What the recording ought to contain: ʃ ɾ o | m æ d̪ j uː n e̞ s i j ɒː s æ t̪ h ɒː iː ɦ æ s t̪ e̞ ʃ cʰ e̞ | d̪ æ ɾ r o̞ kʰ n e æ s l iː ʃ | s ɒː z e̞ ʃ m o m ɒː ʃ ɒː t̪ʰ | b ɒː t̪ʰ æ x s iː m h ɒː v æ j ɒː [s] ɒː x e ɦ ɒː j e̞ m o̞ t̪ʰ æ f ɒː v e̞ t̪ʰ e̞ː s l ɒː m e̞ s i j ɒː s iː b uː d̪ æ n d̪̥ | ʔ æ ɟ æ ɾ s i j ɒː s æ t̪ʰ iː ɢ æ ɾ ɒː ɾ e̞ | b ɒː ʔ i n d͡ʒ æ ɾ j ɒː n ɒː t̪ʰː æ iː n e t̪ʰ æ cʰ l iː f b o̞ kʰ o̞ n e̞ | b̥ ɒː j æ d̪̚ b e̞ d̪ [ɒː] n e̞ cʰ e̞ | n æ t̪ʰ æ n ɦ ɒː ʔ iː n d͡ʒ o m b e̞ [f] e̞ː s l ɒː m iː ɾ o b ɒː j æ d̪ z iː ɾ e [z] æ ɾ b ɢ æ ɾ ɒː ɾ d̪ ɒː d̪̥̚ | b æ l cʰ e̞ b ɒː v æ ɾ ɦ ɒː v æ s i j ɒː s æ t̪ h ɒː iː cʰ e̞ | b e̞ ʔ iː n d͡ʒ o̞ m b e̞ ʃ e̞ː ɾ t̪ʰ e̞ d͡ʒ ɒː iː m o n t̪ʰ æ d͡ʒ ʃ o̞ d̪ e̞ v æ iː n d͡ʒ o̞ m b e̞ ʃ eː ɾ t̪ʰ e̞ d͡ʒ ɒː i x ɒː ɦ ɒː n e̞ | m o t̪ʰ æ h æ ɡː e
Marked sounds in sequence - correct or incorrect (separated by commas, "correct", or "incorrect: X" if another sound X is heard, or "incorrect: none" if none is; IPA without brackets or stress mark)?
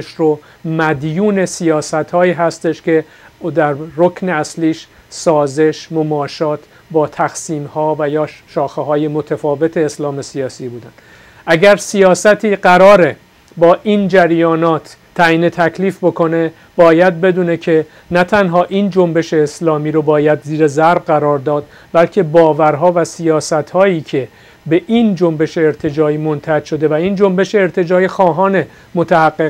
incorrect: ʃ, incorrect: uː, incorrect: ʃ, correct